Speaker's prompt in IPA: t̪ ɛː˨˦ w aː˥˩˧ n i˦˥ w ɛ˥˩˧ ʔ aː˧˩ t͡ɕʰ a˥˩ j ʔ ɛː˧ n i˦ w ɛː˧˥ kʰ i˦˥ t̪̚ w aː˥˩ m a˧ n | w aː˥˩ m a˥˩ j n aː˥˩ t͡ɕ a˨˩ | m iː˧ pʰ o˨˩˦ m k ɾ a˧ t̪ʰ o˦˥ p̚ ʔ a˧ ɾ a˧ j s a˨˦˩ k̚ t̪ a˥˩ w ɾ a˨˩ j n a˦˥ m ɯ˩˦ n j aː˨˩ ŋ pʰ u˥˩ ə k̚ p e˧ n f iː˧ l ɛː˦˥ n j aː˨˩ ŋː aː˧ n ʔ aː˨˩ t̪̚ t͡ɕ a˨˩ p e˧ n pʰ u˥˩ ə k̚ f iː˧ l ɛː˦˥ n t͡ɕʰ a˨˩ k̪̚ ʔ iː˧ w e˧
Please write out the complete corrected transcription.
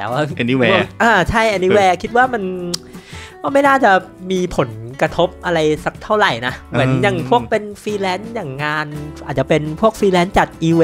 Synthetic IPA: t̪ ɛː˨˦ w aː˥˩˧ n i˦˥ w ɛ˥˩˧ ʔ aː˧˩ t͡ɕʰ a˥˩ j ʔ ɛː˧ n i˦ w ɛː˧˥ kʰ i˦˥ t̪̚ w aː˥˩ m a˧ n | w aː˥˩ m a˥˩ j n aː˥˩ t͡ɕ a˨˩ | m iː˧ pʰ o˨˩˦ n k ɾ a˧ t̪ʰ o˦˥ p̚ ʔ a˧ ɾ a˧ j s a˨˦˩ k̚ t̪ʰ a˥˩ w ɾ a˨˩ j n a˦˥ m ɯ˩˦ n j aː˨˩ ŋ pʰ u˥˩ ə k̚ p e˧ n f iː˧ l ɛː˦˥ n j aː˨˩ ŋː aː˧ n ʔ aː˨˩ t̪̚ t͡ɕ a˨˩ p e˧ n pʰ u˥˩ ə k̚ f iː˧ l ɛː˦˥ n t͡ɕ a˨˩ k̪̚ ʔ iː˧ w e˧